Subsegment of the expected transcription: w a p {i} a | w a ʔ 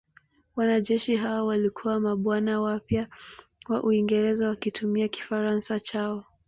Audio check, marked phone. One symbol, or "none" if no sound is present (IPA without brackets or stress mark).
j